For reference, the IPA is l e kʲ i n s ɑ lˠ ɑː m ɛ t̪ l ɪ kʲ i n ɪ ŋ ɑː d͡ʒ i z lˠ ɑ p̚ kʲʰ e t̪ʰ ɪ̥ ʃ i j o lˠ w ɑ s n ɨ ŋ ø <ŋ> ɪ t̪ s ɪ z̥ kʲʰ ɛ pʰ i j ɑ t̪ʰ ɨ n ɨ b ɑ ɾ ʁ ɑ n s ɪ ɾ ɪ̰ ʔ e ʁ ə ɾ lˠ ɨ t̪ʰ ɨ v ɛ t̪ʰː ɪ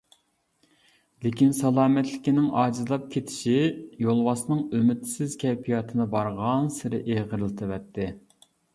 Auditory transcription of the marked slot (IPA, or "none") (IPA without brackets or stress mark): m